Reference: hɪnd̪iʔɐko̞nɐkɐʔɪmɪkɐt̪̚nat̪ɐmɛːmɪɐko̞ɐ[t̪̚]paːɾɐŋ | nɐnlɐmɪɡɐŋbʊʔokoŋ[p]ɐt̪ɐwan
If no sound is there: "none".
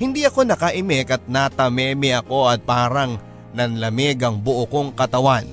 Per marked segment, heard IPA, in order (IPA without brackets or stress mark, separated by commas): t̪̚, k